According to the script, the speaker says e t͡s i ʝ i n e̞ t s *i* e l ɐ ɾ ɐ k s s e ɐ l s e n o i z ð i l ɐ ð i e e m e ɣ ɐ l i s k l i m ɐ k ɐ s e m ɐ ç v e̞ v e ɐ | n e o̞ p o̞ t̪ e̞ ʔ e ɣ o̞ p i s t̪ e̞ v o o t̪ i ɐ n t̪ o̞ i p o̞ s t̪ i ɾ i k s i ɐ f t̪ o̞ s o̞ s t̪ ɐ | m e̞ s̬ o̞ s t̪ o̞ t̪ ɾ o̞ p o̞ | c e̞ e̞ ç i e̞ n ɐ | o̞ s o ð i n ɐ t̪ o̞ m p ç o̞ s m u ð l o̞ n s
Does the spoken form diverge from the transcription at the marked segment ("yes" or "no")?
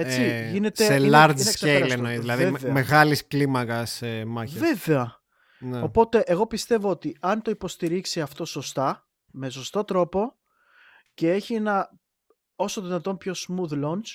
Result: yes